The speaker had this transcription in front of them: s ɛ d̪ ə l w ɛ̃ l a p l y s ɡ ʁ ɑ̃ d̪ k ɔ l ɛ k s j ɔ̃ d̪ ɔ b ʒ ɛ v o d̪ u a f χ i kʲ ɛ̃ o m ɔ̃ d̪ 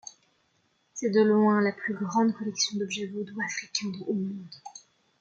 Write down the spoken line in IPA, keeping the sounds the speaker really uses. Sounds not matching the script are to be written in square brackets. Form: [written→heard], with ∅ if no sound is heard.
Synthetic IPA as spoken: s ɛ d̪ ə l w ɛ̃ l a p l y [s→∅] ɡ ʁ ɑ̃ d̪ k ɔ l ɛ k s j ɔ̃ d̪ ɔ b ʒ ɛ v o d̪ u a f χ i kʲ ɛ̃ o m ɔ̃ d̪